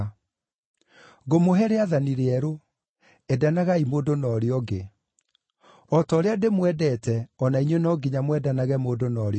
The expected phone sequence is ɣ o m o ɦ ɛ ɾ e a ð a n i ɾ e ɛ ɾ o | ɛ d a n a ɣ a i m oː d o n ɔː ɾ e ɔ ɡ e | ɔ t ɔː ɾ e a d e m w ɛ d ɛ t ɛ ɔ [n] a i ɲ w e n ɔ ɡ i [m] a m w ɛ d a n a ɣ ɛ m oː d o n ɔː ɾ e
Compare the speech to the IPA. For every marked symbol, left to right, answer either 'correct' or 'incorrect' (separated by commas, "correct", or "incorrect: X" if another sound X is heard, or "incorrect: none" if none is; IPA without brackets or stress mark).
correct, incorrect: ɲ